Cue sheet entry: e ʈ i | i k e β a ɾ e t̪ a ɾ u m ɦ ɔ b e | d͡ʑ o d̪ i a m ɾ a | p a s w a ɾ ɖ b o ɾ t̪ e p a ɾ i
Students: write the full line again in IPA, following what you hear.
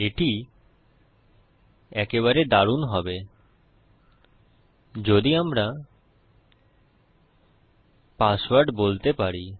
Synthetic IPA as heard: e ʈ i | ɛ k e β a ɾ e d̪ a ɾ u n ɦ ɔ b e | d͡ʑ o d̪ i a m ɾ a | p a s w a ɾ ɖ b o l t̪ e p a ɾ i